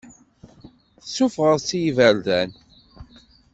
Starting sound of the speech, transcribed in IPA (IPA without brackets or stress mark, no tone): θ